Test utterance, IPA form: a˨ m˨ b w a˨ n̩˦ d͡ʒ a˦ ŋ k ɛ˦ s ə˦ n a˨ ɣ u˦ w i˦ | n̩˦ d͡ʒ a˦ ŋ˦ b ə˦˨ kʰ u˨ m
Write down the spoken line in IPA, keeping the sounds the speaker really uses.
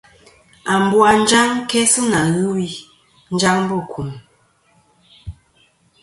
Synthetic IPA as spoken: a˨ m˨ b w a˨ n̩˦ d͡ʒ a˦ ŋ k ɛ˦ s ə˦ n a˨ ɣ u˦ w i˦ | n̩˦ d͡ʒ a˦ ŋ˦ b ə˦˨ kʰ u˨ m